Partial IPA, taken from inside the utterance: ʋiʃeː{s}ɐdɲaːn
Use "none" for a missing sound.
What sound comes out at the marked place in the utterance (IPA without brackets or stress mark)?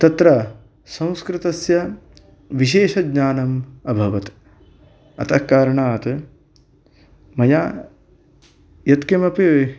ʃ